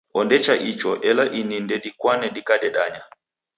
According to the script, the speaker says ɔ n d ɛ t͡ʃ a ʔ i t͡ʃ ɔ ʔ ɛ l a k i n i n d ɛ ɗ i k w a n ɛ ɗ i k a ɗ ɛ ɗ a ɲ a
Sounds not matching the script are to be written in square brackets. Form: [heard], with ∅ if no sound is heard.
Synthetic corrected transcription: ɔ n d ɛ t͡ʃ a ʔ i t͡ʃ ɔ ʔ ɛ l a [ʔ] i n i n d ɛ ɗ i k w a n ɛ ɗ i k a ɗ ɛ ɗ a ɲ a